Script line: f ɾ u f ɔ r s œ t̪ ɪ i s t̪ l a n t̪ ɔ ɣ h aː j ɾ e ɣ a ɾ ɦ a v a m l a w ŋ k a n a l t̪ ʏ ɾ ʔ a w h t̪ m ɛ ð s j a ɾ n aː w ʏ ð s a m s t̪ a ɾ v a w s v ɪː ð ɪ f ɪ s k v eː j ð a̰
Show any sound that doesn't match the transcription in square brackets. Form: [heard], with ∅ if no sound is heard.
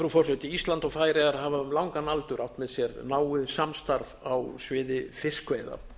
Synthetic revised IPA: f ɾ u f ɔ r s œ t̪ ɪ i s t̪ l a n t̪ ɔ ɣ [f] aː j ɾ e ɣ a ɾ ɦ a v a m l a w ŋ k a n a l t̪ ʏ ɾ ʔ a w h t̪ m ɛ ð s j [ɛ] ɾ n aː w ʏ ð s a m s t̪ a ɾ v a w s v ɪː ð ɪ f ɪ s k v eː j ð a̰